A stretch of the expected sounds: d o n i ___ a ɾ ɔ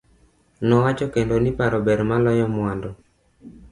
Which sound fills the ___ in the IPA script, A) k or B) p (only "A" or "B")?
B